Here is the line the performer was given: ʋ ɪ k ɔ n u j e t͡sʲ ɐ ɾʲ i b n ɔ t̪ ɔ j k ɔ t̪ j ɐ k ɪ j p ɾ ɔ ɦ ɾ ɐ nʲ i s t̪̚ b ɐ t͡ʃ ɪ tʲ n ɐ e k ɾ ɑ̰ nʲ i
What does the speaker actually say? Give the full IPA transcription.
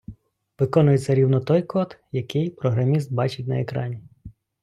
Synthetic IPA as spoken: ʋ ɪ k ɔ n ʊ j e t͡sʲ ɐ ɾʲ i w n ɔ t̪ ɔ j k ɔ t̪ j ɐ k ɪ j p ɾ ɔ ɦ ɾ ɐ mʲ i s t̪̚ b ɑ t͡ʃ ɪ tʲ n ɐ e k ɾ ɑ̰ nʲ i